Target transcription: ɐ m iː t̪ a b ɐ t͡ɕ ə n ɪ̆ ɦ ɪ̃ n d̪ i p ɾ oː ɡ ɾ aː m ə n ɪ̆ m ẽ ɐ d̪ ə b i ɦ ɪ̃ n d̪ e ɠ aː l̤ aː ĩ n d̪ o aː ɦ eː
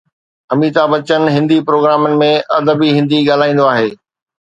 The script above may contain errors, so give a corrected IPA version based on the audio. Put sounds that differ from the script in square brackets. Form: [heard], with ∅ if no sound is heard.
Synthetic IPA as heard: ɐ m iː t̪ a b ɐ t͡ɕ ə n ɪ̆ ɦ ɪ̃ n d̪ i p ɾ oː ɡ ɾ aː m ə n ɪ̆ m ẽ ɐ d̪ ə b i ɦ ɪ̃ n d̪ [i] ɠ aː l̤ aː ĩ n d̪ o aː ɦ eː